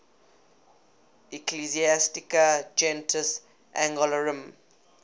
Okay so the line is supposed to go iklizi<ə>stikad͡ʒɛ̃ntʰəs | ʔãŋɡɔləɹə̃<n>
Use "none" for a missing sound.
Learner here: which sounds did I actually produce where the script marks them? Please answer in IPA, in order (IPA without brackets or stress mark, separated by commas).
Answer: a, m